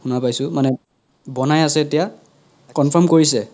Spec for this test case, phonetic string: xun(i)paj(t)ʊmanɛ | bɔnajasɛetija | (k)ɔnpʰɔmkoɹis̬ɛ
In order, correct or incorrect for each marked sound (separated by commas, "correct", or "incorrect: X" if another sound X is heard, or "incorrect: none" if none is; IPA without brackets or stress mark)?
incorrect: a, incorrect: s, correct